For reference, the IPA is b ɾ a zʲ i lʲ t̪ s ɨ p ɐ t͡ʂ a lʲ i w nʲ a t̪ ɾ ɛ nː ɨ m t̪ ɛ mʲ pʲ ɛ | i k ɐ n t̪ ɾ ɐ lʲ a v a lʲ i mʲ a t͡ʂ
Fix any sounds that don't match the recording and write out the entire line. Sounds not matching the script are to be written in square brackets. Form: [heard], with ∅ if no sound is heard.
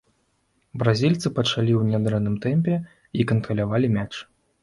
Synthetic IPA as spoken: b ɾ a zʲ i lʲ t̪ s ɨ p ɐ t͡ʂ a lʲ i w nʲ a [d̪] ɾ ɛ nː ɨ m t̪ ɛ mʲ pʲ ɛ | i k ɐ n t̪ ɾ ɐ lʲ a v a lʲ i mʲ a t͡ʂ